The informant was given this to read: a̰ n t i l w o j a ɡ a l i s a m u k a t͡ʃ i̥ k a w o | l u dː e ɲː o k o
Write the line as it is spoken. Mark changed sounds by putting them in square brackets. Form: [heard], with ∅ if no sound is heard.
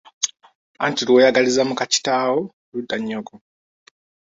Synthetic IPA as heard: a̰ n t i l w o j a ɡ a l i [z] a m u k a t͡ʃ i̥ [t] a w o | l u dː [a] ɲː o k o